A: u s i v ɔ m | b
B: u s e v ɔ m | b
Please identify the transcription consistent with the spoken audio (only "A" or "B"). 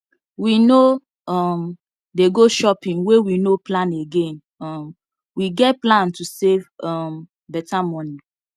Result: B